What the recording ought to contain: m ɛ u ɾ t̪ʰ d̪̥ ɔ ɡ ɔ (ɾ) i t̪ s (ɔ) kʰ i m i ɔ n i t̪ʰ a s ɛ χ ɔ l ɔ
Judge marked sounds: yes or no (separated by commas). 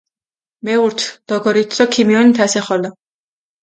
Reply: yes, yes